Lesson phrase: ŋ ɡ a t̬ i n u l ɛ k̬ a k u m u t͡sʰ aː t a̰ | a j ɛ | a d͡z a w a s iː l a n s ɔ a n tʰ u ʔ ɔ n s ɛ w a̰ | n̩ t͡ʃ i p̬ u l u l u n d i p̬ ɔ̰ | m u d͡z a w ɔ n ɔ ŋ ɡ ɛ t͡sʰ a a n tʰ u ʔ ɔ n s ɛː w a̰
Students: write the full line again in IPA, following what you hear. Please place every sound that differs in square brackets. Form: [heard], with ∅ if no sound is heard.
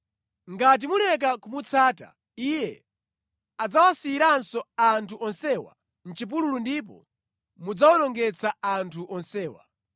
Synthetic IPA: ŋ ɡ a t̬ i [m] u l ɛ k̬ a k u m u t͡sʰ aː t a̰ | [i] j ɛ | a d͡z a w a s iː [ɾ] a n s ɔ a n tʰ u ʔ ɔ n s ɛ w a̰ | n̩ t͡ʃ i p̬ u l u l u n d i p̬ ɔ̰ | m u d͡z a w ɔ n ɔ ŋ ɡ ɛ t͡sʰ a a n tʰ u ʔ ɔ n s ɛː w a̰

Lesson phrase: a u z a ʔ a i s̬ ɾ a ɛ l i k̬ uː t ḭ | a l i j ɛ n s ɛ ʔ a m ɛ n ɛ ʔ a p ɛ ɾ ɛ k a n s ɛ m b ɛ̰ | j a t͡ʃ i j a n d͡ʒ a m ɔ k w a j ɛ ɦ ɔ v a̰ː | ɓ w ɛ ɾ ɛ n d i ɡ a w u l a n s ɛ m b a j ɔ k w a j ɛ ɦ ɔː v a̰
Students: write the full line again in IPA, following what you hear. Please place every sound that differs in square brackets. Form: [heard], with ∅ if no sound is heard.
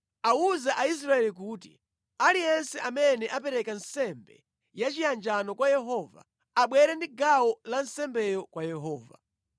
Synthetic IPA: a u z a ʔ a i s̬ ɾ a ɛ l i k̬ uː t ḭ | a l i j ɛ n s ɛ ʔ a m ɛ n ɛ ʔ a p ɛ ɾ ɛ k a n s ɛ m b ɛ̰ | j a t͡ʃ i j a n d͡ʒ a [n] ɔ k w a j ɛ ɦ ɔ v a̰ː | ɓ w ɛ ɾ ɛ n d i ɡ a w [ɔ] l a n s ɛ m b [ɛ] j ɔ k w a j ɛ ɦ ɔː v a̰

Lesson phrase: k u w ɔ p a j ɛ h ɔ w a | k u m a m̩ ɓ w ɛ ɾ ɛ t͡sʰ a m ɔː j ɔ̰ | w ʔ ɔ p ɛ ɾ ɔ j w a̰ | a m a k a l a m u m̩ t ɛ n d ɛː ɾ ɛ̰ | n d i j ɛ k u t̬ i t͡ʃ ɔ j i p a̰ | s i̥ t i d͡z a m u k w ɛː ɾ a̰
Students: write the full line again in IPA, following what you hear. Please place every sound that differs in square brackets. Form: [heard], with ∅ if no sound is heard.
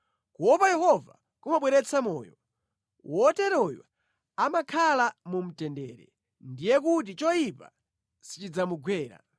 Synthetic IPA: k u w ɔ p a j ɛ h ɔ [v] a | k u m a [∅] ɓ w ɛ ɾ ɛ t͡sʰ a m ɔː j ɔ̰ | w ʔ ɔ [t] ɛ ɾ ɔ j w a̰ | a m a [kʰ] a l a m u m̩ t ɛ n d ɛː ɾ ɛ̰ | n d i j ɛ k u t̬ i t͡ʃ ɔ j i p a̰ | s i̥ [t͡ʃ] i d͡z a m u [ɡ] w ɛː ɾ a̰

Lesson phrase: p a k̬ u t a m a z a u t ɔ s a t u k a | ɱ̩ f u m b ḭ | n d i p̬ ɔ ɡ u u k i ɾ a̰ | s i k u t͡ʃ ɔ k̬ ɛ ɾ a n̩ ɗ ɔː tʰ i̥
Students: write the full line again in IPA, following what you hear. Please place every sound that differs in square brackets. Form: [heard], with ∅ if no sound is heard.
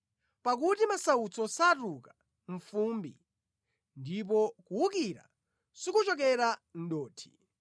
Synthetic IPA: p a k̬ u t [i] m a [s] a u [t͡s] ɔ s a t u k a | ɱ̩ f u m b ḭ | n d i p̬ ɔ [k] u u k i ɾ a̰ | s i k u t͡ʃ ɔ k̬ ɛ ɾ a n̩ ɗ ɔː tʰ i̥

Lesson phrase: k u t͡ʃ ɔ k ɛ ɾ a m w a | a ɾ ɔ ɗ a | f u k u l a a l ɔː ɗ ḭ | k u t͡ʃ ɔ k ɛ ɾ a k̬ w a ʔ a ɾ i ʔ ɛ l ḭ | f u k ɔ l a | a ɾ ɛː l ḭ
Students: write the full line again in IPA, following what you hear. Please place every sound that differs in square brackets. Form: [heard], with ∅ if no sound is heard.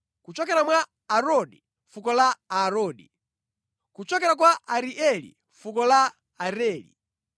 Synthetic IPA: k u t͡ʃ ɔ k ɛ ɾ a m w a | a ɾ ɔ ɗ [i] | f u k [ɔ] l a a [ɾ] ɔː ɗ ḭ | k u t͡ʃ ɔ k ɛ ɾ a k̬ w a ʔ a ɾ i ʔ ɛ l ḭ | f u k ɔ l a | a ɾ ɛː l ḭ

